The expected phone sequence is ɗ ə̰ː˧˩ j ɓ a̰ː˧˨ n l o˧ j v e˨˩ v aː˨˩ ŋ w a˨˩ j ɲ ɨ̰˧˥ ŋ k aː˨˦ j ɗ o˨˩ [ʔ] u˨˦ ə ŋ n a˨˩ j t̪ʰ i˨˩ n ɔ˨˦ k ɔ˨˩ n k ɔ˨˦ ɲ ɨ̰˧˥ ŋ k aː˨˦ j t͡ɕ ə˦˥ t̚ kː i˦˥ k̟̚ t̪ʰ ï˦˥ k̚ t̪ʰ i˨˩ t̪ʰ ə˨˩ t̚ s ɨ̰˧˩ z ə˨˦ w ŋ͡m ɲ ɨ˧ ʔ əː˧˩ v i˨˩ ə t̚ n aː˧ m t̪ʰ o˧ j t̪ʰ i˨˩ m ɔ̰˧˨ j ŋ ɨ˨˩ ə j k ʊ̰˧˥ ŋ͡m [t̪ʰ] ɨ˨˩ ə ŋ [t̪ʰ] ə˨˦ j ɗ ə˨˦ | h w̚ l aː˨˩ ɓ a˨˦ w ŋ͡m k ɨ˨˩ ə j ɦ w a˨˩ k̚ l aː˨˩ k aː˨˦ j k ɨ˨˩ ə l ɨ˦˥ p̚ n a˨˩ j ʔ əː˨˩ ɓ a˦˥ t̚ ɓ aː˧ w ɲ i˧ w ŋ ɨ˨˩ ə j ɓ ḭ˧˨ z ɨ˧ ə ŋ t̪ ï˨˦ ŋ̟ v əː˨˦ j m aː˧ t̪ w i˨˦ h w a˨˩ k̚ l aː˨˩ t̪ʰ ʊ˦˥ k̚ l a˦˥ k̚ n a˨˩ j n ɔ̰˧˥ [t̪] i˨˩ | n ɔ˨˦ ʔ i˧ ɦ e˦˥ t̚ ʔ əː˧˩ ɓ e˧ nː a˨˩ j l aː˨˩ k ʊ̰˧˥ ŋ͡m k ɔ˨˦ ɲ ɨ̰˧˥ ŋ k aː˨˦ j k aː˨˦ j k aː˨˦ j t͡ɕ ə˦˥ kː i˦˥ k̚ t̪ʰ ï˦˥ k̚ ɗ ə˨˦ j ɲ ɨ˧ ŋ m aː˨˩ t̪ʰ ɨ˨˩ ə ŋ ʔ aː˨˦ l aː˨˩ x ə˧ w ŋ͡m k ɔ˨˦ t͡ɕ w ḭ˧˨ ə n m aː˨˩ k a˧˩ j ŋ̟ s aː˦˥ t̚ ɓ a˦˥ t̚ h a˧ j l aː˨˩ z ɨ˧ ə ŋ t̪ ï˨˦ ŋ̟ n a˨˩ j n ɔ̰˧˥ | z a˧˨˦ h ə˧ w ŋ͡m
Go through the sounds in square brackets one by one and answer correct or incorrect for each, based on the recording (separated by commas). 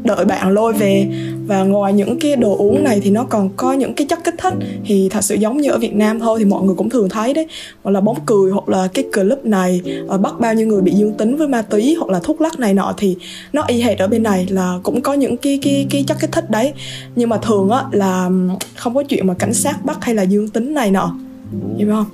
correct, incorrect, correct, incorrect